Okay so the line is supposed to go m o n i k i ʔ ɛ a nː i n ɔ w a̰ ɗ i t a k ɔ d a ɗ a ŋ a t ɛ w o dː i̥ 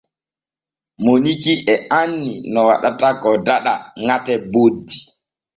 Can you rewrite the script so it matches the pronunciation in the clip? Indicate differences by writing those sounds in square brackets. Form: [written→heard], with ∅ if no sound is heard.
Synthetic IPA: m o n i k i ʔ ɛ a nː i n ɔ w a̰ ɗ [i→a] t a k ɔ d a ɗ a ŋ a t ɛ [w→b] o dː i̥